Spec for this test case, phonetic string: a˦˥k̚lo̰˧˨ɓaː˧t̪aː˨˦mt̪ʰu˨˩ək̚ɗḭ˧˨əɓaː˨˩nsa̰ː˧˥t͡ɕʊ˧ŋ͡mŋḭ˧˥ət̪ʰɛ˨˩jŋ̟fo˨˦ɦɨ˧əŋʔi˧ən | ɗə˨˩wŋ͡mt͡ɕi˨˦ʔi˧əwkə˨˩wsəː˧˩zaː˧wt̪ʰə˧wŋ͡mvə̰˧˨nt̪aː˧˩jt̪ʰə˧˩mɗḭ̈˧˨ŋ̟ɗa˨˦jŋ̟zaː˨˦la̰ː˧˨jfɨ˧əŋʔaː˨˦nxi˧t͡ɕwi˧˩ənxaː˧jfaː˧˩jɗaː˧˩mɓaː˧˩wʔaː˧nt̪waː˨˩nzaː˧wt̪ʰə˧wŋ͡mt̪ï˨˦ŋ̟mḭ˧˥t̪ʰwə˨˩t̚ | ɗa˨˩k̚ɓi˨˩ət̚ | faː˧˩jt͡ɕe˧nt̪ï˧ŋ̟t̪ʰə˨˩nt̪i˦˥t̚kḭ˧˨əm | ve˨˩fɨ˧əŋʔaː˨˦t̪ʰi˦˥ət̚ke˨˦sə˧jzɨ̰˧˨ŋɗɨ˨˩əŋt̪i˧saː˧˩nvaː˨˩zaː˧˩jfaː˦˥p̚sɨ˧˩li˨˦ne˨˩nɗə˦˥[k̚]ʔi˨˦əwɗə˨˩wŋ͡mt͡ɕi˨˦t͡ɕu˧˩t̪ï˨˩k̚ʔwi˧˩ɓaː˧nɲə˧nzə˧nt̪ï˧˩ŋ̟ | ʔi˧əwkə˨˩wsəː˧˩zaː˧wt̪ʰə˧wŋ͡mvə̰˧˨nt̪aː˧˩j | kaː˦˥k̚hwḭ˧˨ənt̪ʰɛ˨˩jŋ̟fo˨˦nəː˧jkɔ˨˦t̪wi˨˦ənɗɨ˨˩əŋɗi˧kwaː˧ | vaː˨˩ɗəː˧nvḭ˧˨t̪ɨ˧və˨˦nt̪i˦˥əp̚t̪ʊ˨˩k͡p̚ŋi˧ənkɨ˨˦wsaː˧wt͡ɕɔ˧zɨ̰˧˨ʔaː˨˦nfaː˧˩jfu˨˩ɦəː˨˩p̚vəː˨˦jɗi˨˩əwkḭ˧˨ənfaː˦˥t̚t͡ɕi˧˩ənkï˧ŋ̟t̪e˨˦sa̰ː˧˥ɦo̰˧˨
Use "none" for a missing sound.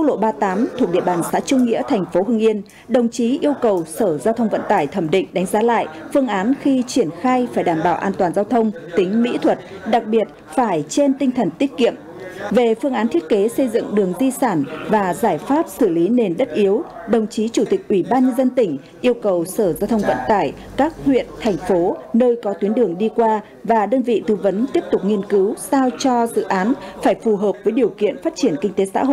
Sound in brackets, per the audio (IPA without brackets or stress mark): t̚